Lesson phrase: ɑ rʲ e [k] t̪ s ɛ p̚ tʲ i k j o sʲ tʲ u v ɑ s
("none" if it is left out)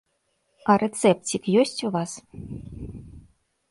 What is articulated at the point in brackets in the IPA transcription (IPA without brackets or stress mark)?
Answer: none